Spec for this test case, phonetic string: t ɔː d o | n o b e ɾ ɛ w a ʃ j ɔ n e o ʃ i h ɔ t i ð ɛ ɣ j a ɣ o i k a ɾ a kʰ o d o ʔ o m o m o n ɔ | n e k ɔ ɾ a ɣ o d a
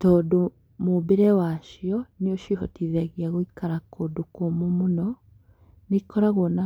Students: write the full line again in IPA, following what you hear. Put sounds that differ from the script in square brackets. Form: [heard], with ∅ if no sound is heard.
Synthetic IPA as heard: t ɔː d o | [m] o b e ɾ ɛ w a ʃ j ɔ n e o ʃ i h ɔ t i ð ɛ ɣ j a ɣ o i k a ɾ a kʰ o d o [k] o m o m o n ɔ | n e k ɔ ɾ a ɣ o [n] a